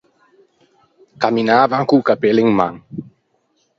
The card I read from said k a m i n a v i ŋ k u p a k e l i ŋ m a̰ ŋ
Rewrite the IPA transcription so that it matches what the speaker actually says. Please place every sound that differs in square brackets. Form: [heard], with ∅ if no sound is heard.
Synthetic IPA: k a m i n a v [a] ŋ k u [k] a [p] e l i ŋ m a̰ ŋ